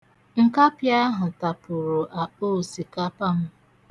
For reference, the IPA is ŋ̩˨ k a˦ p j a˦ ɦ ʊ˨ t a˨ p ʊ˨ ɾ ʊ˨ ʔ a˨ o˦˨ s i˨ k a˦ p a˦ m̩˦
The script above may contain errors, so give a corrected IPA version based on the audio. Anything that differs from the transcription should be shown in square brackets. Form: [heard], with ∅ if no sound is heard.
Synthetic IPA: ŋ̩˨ k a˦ p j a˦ ɦ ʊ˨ t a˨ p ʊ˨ ɾ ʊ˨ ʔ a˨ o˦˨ s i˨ k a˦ p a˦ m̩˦

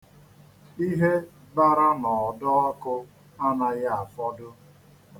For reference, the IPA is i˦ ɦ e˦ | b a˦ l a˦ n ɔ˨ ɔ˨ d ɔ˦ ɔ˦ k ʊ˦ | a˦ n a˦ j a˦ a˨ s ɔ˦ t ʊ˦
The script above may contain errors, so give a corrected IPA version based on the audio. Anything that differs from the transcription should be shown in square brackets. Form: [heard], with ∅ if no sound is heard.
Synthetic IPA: i˦ ɦ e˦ | b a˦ [ɾ] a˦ n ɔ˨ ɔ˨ d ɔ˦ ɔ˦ k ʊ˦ | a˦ n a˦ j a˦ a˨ [f] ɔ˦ [d] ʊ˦

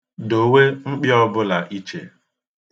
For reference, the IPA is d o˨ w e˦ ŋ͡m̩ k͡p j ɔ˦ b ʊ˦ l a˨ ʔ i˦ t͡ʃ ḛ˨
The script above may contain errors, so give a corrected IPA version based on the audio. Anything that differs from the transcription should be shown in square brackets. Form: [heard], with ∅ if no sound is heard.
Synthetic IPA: d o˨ w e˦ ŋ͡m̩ k͡p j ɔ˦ b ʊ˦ l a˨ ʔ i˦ t͡ʃ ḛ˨

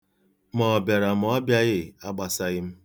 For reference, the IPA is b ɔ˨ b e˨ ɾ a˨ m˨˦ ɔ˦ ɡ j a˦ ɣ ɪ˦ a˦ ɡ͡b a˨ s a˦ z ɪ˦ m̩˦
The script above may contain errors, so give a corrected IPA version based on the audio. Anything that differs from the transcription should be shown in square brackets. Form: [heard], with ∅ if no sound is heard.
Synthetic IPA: [m] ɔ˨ b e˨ ɾ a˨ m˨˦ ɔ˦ [b] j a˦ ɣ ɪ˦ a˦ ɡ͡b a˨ s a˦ [ɣ] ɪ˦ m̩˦

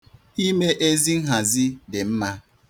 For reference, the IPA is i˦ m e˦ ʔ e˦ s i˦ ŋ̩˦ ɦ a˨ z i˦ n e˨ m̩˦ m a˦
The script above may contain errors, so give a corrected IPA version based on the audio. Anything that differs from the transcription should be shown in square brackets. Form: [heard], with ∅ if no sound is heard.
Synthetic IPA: i˦ m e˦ ʔ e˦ [z] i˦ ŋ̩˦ ɦ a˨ z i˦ [d] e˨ m̩˦ m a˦

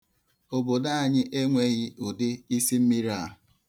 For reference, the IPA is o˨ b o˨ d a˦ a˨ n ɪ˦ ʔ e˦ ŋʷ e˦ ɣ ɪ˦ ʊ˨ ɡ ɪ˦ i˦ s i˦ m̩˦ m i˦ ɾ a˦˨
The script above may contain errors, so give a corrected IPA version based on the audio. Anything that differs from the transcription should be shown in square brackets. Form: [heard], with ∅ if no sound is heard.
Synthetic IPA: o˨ b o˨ d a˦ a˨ [ɲ] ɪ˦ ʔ e˦ ŋʷ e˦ ɣ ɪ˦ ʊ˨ [d] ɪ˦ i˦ s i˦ m̩˦ m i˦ ɾ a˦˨

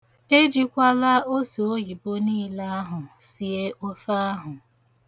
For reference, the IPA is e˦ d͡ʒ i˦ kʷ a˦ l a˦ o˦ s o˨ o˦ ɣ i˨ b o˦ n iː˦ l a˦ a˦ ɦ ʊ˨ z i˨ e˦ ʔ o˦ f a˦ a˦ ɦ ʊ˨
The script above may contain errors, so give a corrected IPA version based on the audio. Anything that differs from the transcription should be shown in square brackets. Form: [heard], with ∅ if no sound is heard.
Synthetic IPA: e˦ d͡ʒ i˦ kʷ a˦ l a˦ o˦ s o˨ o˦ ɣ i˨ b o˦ n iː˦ l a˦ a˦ ɦ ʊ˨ [s] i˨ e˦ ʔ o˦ f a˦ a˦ ɦ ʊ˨

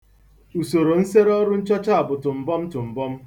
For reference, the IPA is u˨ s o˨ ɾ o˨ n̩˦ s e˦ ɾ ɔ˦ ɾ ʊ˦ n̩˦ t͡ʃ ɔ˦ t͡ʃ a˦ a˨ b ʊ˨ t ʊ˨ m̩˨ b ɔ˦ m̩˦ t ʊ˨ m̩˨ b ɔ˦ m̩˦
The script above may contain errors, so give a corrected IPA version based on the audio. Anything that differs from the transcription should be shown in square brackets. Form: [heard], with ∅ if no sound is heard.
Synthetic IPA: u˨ s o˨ ɾ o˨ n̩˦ s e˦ ɾ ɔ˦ ɾ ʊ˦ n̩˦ t͡ʃ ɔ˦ t͡ʃ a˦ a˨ b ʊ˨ t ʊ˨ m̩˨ b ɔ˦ m̩˦ t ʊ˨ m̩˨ b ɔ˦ m̩˦

